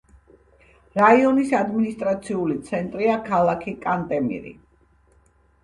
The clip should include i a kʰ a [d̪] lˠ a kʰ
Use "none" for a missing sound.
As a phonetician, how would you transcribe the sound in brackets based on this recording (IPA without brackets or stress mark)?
none